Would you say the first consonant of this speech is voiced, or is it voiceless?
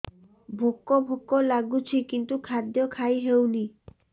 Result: voiced